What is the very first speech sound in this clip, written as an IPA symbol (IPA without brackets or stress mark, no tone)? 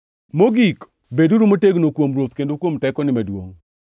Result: m